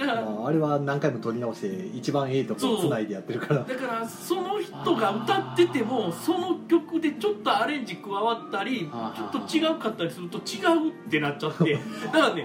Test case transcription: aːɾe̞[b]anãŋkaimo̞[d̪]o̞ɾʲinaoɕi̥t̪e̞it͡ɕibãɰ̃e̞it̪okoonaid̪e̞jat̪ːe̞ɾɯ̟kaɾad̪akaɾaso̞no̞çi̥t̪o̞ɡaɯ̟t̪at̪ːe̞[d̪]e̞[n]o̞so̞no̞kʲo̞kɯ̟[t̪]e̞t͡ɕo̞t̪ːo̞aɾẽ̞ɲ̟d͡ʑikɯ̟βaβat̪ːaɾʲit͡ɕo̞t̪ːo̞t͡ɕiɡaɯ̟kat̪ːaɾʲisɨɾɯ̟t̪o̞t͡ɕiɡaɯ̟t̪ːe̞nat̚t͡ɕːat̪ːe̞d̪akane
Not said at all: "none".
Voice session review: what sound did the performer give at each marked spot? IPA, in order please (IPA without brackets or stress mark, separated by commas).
β, t̪, t̪, m, d̪